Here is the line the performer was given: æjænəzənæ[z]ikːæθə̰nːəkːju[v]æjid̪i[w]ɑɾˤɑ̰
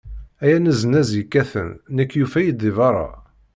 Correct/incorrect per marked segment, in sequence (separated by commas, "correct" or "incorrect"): correct, incorrect, incorrect